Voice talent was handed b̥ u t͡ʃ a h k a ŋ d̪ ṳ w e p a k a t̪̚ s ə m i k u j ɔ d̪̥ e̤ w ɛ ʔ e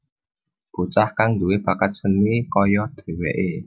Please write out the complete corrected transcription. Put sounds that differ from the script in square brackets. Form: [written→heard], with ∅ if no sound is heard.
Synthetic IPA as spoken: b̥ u t͡ʃ a h k a ŋ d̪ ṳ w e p a k a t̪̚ s ə [m→n] i k [u→ɔ] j ɔ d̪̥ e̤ w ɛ ʔ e